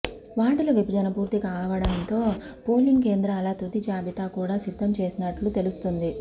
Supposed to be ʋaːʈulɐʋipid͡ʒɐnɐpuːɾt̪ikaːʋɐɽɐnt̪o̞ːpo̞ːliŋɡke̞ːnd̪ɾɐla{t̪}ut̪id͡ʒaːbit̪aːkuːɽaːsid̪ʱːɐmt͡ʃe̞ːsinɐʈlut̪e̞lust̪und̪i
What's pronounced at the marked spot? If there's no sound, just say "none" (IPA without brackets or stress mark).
t̪